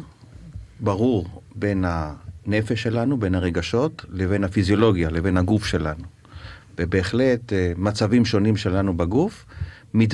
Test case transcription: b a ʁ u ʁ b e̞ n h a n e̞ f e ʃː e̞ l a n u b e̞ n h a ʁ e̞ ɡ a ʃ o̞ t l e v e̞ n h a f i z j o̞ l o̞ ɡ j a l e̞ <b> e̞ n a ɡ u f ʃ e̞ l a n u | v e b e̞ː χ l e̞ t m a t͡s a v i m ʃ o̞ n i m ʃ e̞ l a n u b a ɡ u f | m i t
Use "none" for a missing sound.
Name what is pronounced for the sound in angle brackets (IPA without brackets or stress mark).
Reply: v